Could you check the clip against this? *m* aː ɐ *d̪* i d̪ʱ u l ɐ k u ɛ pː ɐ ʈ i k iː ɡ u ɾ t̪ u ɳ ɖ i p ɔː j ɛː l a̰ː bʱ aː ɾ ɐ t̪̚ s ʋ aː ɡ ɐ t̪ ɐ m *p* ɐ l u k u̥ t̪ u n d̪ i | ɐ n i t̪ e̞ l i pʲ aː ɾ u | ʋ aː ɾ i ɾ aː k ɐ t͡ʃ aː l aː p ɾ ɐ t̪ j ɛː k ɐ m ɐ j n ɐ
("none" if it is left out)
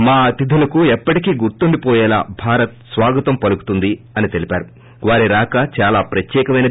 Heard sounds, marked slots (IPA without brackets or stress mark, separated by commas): m, t̪, p